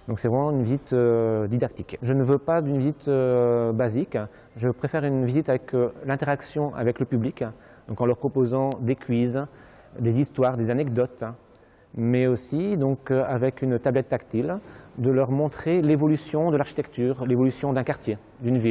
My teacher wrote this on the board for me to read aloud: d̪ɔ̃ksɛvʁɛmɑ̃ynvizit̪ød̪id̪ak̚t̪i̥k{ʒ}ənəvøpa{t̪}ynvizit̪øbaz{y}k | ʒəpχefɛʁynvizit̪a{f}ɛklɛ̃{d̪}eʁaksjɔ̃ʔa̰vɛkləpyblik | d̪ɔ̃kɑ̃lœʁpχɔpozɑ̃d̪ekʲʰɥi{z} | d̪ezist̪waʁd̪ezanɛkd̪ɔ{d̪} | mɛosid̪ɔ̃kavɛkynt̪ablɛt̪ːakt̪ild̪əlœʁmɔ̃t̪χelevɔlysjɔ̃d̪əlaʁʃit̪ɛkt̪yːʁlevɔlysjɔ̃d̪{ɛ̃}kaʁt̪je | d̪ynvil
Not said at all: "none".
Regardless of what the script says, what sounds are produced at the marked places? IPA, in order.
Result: ʒ, d̪, i, v, t̪, z, t̪, ɛ̃

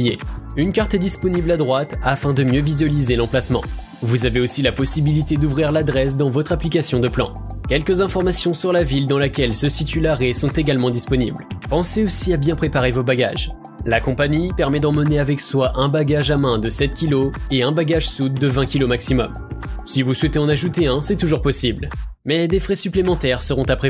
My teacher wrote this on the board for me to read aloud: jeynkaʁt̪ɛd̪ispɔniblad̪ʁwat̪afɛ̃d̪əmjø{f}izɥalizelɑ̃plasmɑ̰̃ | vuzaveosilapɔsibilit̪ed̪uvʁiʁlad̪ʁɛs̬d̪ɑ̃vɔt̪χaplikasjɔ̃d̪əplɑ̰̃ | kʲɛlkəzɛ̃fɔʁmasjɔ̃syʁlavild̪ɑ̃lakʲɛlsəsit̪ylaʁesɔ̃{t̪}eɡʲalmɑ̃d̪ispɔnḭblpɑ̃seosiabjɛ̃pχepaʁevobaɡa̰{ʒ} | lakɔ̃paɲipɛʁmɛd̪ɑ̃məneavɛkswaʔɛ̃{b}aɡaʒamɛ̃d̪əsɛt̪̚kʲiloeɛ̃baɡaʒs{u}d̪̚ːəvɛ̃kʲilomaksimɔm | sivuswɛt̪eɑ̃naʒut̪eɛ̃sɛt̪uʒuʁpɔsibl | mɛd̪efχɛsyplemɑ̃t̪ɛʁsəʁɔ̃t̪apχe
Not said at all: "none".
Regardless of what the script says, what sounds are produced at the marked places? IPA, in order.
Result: v, t̪, ʒ, b, u

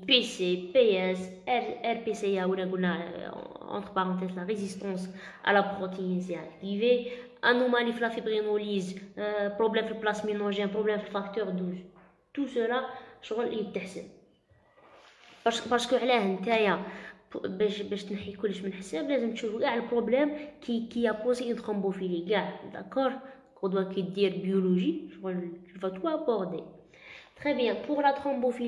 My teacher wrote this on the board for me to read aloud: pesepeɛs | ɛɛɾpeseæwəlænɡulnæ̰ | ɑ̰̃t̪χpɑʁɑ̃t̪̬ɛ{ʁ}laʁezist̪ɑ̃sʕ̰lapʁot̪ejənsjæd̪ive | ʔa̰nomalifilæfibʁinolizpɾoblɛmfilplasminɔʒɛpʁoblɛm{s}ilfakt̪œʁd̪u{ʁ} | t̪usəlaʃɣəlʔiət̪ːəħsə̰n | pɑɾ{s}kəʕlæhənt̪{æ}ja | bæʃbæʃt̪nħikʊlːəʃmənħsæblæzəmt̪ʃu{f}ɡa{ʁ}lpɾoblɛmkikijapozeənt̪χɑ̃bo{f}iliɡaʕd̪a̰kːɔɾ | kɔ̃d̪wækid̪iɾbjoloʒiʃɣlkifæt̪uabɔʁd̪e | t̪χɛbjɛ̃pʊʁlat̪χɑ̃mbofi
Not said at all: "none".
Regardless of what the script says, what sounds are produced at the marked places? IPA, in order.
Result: z, f, z, s, æ, f, ʕ, f

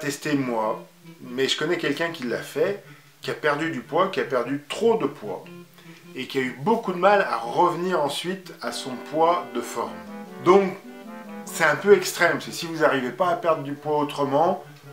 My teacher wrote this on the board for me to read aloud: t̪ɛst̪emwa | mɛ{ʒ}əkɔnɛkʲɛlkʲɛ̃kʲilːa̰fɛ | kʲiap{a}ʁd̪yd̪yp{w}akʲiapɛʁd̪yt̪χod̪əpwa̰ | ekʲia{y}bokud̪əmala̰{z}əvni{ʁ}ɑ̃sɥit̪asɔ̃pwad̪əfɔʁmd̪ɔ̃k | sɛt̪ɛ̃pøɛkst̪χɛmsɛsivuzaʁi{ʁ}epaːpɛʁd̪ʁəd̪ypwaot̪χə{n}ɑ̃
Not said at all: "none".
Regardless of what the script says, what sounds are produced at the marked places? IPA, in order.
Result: ʒ, ɛ, w, y, ʁ, ʁ, v, m

